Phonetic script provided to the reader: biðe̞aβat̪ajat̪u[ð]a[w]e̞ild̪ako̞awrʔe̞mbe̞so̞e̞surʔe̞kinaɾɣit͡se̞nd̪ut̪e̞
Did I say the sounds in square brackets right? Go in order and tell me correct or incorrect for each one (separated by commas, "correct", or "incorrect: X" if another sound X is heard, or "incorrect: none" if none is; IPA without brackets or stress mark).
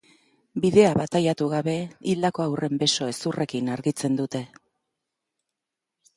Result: incorrect: ɣ, incorrect: β